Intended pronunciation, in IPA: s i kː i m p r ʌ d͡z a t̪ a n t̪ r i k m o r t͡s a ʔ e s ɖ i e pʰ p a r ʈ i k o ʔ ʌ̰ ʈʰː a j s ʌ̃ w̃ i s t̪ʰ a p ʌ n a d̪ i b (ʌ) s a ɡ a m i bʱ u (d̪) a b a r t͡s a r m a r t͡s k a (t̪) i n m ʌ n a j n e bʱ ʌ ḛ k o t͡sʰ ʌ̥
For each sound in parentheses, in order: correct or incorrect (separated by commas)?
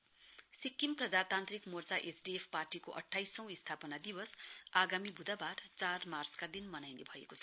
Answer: correct, correct, incorrect